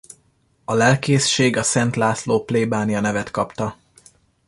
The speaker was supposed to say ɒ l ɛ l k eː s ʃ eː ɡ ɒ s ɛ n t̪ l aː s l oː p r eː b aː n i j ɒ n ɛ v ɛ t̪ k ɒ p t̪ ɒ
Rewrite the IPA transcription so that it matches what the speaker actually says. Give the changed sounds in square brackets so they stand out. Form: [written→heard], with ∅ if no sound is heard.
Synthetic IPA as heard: ɒ l ɛ l k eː s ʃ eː ɡ ɒ s ɛ n t̪ l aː s l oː p [r→l] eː b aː n i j ɒ n ɛ v ɛ t̪ k ɒ p t̪ ɒ

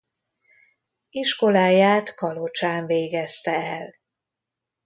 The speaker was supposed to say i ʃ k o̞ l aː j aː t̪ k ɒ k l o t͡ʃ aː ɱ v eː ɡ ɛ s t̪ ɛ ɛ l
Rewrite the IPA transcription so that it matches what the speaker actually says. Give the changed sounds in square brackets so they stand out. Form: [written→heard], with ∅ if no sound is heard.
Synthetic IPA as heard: i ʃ k o̞ l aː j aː t̪ k ɒ [k→∅] l o t͡ʃ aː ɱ v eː ɡ ɛ s t̪ ɛ ɛ l

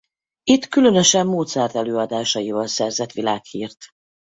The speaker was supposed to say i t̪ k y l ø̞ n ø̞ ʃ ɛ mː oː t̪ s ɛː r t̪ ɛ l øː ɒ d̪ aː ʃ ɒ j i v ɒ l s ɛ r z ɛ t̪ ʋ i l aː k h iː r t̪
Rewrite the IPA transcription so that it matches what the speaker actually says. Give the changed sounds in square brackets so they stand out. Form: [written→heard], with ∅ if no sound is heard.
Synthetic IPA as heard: i t̪ k y l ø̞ n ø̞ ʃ ɛ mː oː t̪ s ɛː r t̪ ɛ l øː ɒ d̪ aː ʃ ɒ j i v ɒ l s ɛ r z ɛ t̪ ʋ i l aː k h iː r t̪

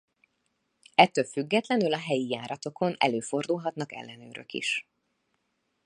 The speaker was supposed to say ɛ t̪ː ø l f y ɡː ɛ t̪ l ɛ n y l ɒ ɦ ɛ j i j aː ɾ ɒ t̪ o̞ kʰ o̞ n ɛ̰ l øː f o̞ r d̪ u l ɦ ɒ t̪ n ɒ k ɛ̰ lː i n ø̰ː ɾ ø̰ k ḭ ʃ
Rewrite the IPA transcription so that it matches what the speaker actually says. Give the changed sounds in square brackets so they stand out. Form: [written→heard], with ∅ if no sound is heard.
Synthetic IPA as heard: ɛ t̪ː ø l f y ɡː ɛ t̪ l ɛ n y l ɒ ɦ ɛ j i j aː ɾ ɒ t̪ o̞ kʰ o̞ n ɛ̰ l øː f o̞ r d̪ u l ɦ ɒ t̪ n ɒ k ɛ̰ lː [i→ɛ] n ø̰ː ɾ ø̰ k ḭ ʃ

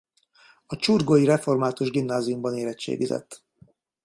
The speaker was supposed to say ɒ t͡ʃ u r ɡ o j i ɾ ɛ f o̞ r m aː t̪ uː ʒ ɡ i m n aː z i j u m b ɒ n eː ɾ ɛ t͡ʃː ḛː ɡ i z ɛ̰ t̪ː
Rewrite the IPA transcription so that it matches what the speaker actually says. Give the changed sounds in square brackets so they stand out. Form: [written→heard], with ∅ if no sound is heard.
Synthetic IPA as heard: ɒ t͡ʃ u r ɡ o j i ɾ ɛ f o̞ r m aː t̪ [uː→u] ʒ ɡ i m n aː z i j u m b ɒ n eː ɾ ɛ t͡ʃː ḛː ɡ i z ɛ̰ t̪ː

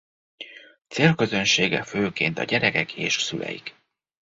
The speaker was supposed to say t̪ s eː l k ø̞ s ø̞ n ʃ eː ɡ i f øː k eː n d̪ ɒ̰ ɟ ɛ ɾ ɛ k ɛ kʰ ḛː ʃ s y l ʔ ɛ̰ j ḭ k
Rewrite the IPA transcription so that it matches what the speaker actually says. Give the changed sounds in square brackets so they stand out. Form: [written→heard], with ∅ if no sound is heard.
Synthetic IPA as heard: t̪ s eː l k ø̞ [s→z] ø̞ n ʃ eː ɡ [i→ɛ] f øː k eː n [d̪→t̪] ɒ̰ ɟ ɛ ɾ ɛ k ɛ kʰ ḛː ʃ s y l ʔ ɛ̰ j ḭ k

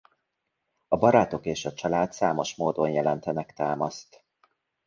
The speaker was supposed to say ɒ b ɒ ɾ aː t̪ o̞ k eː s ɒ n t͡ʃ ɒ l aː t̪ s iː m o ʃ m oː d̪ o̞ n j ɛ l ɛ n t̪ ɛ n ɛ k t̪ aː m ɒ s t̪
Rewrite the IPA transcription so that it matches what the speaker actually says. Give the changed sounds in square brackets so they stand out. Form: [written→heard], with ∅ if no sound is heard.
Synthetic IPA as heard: ɒ b ɒ ɾ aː t̪ o̞ k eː [s→ʃ] ɒ [n→∅] t͡ʃ ɒ l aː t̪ s [iː→aː] m o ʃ m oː d̪ o̞ n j ɛ l ɛ n t̪ ɛ n ɛ k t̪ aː m ɒ s t̪

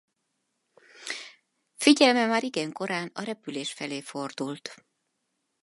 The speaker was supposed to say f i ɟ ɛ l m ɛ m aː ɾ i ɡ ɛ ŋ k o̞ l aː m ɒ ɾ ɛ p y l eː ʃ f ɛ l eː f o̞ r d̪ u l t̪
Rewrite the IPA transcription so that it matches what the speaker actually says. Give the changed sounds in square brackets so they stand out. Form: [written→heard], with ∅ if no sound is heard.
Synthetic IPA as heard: f i ɟ ɛ l m ɛ m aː ɾ i ɡ ɛ ŋ k o̞ [l→ɾ] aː [m→n] ɒ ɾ ɛ p y l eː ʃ f ɛ l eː f o̞ r d̪ u l t̪

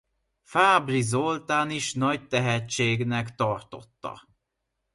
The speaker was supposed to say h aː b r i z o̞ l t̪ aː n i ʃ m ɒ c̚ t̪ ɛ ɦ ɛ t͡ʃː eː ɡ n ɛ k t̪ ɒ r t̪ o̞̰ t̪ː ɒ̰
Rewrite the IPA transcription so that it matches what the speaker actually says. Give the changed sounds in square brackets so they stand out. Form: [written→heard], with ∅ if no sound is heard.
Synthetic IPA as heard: [h→f] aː b r i z o̞ l t̪ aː n i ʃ [m→n] ɒ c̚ t̪ ɛ ɦ ɛ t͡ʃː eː ɡ n ɛ k t̪ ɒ r t̪ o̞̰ t̪ː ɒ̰

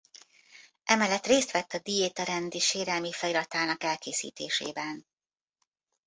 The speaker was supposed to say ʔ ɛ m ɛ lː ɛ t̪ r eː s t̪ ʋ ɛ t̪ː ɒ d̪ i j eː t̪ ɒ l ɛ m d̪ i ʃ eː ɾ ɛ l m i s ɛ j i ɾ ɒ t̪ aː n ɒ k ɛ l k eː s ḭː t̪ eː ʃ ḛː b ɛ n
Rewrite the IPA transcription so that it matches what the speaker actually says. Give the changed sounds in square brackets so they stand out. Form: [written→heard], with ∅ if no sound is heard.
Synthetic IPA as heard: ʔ ɛ m ɛ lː ɛ t̪ r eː s t̪ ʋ ɛ t̪ː ɒ d̪ i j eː t̪ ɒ [l→ɾ] ɛ [m→n] d̪ i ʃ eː ɾ ɛ l m i [s→f] ɛ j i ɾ ɒ t̪ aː n ɒ k ɛ l k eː s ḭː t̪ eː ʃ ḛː b ɛ n

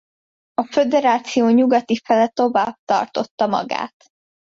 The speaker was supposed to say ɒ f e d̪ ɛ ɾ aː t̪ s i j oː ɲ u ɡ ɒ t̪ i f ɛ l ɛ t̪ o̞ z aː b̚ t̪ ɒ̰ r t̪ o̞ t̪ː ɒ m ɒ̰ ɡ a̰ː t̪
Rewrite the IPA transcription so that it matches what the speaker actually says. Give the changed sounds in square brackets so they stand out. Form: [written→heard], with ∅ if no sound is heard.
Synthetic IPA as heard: ɒ f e d̪ ɛ ɾ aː t̪ s i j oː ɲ u ɡ ɒ t̪ i f ɛ l ɛ t̪ o̞ [z→v] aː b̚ t̪ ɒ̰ r t̪ o̞ t̪ː ɒ m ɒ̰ ɡ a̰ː t̪

